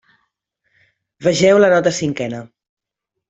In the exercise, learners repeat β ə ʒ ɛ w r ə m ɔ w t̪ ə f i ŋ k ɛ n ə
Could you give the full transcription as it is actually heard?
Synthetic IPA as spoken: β ə ʒ ɛ w l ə n ɔ t̪ ə s i ŋ k ɛ n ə

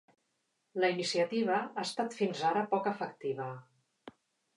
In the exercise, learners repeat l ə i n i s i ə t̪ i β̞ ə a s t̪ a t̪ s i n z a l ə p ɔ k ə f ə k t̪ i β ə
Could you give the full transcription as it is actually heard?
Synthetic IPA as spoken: l ə i n i s i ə t̪ i β̞ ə a s t̪ a t̪ f i n z a ɾ ə p ɔ k ə f ə k t̪ i β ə

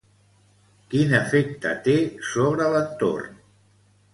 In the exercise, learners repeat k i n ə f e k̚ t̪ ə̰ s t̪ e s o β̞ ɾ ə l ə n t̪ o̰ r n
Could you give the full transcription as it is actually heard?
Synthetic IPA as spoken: k i n ə f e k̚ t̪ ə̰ t̪ e s o β̞ ɾ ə l ə n t̪ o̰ r n

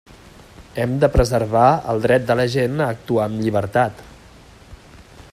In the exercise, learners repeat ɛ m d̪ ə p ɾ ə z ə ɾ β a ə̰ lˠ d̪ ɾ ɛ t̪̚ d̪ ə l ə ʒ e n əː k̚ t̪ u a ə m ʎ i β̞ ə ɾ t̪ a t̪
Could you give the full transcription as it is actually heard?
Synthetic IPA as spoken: ɛ m d̪ ə p ɾ ə z ə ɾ β a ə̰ lˠ d̪ ɾ ɛ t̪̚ d̪ ə l ə ʒ e n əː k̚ t̪ u a ə m ʎ i β̞ ə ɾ t̪ a t̪

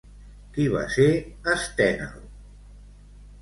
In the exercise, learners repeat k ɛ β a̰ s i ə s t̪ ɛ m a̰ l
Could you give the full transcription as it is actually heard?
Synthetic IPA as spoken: k i β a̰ s e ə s t̪ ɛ n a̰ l

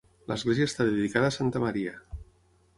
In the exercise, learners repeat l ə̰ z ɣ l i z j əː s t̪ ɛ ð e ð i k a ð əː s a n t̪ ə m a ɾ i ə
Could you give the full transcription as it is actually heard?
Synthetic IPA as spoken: l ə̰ z ɣ l e z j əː s t̪ a ð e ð i k a ð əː s a n t̪ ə m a ɾ i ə

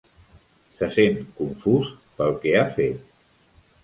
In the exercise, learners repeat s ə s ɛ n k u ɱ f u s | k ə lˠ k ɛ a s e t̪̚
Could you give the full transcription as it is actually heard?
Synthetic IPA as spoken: s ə s e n k u ɱ f u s | p ə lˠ k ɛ a f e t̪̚

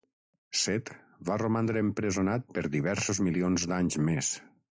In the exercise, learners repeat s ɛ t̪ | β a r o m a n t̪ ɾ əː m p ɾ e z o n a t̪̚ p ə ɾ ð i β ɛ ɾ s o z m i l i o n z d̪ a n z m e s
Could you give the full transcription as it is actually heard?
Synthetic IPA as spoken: s ɛ t̪ | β a r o m a n d̪ ɾ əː m p ɾ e z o n a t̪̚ p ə ɾ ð i β ɛ ɾ s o z m i l i o n z d̪ a ɲ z m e s

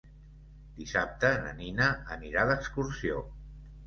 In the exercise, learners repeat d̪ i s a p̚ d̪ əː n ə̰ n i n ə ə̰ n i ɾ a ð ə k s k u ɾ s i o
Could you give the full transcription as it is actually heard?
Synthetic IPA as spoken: d̪ i s a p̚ t̪ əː n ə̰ n i n ə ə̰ n i ɾ a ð ə k s k u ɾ s i o

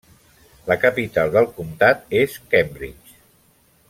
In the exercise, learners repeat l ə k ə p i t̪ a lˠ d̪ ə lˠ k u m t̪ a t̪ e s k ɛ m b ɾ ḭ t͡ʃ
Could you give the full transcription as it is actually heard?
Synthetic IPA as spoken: l ə k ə p i t̪ a lˠ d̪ ə lˠ k u m t̪ a t̪ e s k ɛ m b ɾ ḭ t͡ʃ

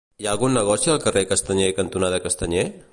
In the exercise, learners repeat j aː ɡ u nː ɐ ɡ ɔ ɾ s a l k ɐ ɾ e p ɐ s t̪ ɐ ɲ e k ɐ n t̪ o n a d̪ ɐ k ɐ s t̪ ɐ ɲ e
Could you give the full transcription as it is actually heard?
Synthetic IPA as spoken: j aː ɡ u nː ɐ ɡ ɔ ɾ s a l k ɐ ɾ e k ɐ s t̪ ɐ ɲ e k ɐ n t̪ u n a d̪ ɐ k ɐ s t̪ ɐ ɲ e

